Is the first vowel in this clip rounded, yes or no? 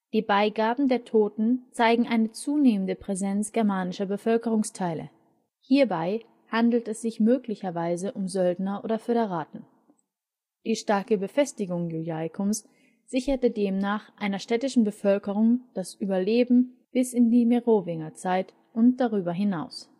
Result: no